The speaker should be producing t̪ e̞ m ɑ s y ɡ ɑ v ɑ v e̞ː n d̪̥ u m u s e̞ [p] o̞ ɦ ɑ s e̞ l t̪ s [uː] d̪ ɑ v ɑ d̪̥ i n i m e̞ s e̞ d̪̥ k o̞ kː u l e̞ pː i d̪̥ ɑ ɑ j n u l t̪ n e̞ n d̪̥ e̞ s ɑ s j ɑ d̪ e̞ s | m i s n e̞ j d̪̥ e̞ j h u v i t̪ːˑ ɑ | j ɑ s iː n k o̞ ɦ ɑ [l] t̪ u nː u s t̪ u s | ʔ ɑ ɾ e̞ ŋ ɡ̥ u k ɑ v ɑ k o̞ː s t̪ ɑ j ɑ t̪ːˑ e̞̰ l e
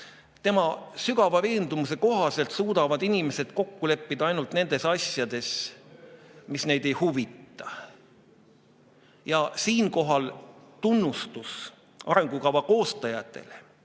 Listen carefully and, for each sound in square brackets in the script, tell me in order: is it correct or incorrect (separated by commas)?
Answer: incorrect, correct, correct